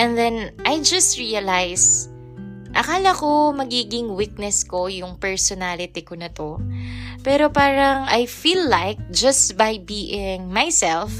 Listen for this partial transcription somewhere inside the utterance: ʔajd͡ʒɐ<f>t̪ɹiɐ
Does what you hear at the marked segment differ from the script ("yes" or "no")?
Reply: yes